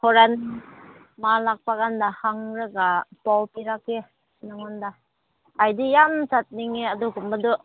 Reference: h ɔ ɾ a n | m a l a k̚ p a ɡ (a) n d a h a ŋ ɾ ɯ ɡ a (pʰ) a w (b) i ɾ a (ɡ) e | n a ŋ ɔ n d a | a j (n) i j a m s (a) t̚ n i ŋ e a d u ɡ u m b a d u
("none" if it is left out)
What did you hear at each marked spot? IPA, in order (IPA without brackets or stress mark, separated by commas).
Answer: a, p, p, k, d, a